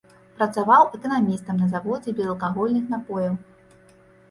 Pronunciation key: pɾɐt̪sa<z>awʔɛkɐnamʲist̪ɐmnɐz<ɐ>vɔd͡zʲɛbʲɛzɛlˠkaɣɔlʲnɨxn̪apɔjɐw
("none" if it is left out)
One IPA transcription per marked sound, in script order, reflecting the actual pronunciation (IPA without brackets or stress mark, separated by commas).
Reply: v, a